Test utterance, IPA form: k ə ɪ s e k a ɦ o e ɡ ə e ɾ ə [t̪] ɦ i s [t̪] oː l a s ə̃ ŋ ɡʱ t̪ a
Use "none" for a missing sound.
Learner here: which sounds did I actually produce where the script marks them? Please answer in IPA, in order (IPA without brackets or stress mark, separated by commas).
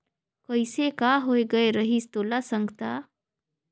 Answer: none, t̪